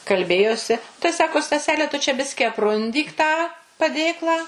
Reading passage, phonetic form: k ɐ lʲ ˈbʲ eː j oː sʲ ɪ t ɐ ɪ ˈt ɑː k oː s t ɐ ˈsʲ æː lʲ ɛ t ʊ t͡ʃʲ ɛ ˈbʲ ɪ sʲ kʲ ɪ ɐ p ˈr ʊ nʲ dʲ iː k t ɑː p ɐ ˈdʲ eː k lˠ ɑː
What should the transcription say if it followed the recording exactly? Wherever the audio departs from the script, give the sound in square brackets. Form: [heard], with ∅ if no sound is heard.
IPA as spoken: k ɐ lʲ ˈbʲ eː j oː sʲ ɪ t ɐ ɪ [ˈs] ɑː k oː s t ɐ ˈsʲ æː lʲ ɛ t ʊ t͡ʃʲ ɛ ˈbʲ ɪ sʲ kʲ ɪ ɐ p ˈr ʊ nʲ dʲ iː k t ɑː p ɐ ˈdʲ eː k lˠ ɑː